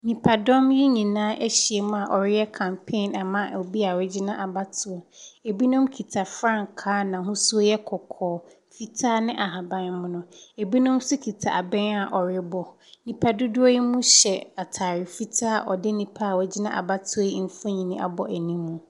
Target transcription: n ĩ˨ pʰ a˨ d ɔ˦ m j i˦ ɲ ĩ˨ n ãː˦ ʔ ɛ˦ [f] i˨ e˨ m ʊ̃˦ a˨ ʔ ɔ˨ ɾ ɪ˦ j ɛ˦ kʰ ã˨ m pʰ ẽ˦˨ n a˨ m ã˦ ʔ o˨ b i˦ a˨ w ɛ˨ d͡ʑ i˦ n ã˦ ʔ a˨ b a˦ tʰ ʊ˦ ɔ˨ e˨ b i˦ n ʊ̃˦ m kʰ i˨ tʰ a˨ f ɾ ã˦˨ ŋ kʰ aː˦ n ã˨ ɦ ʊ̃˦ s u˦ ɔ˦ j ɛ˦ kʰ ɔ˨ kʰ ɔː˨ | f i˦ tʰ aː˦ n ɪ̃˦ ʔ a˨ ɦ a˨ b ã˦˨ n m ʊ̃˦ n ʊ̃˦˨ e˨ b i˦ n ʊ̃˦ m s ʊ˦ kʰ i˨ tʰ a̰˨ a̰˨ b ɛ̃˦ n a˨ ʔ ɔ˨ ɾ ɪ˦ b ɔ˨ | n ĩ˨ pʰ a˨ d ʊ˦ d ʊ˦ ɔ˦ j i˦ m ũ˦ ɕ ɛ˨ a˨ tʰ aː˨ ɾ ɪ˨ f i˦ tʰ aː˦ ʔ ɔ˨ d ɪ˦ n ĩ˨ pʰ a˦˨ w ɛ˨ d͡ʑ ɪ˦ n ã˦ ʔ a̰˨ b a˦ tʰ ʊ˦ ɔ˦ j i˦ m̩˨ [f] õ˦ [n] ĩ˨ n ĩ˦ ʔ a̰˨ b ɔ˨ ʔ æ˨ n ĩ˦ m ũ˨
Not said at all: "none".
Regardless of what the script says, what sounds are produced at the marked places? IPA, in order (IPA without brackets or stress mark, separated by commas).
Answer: ɕ, f, ɲ